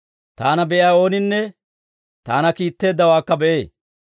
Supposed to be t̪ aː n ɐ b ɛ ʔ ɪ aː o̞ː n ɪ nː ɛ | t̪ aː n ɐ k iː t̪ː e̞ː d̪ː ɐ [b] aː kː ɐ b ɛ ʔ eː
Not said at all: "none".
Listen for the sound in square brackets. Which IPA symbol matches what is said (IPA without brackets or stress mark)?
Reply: w